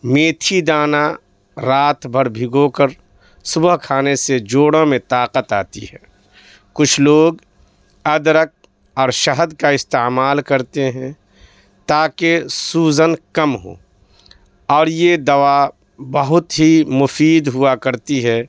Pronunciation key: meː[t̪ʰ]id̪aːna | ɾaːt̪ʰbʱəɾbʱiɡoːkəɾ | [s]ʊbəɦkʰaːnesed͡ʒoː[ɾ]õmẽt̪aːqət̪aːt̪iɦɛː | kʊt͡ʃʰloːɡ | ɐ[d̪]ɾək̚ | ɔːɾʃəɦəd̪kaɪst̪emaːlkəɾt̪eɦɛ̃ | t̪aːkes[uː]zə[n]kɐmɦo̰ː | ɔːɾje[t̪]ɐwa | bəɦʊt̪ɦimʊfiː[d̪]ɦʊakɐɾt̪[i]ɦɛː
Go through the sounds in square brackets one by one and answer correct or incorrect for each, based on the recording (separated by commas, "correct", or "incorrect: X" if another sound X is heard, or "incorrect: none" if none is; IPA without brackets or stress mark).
correct, correct, incorrect: ɽ, correct, correct, correct, incorrect: d̪, correct, correct